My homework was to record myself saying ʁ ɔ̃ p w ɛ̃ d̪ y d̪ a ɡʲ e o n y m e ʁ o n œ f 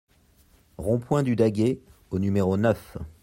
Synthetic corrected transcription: ʁ ɔ̃ p w ɛ̃ d̪ y d̪ a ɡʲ e o n y m e ʁ o n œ f